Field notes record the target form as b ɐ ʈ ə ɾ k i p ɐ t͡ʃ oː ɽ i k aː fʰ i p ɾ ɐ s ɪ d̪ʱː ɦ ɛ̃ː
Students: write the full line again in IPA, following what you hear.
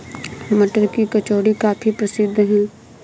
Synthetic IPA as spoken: m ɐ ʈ ə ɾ k i k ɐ t͡ʃ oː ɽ i k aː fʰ i p ɾ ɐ s ɪ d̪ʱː ɦ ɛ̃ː

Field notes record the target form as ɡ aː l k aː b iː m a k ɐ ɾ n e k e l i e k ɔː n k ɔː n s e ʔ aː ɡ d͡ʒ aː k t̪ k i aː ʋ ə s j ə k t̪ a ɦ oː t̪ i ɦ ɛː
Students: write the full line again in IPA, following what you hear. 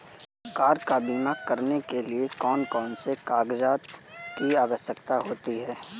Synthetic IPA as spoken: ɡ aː ɾ k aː b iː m a k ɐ ɾ n e k e l i e k ɔː n k ɔː n s e k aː ɡ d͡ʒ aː t̪ k i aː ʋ ə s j ə k t̪ a ɦ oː t̪ i ɦ ɛː

